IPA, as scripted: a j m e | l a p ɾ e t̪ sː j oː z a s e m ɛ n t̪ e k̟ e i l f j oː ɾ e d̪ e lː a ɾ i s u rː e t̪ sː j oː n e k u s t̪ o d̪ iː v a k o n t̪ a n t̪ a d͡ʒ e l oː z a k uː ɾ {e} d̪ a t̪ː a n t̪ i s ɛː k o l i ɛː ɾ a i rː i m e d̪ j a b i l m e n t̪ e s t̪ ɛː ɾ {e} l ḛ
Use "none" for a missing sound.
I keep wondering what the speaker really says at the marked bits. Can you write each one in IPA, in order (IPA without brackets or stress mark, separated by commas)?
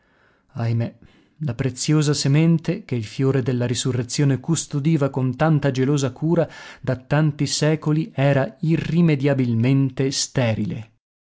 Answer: a, i